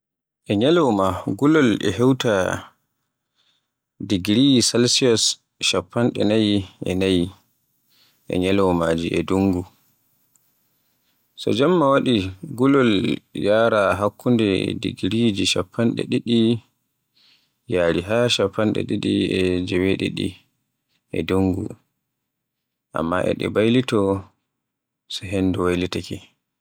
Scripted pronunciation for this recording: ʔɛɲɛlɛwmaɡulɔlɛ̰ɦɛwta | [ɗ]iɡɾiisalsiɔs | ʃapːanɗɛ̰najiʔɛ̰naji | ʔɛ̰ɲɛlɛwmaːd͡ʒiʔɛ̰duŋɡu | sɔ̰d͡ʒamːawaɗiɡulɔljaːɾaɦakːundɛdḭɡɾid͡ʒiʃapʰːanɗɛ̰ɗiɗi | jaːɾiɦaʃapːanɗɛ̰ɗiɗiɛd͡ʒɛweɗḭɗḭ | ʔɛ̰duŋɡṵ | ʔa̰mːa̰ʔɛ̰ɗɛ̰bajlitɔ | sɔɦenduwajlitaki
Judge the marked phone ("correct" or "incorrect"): incorrect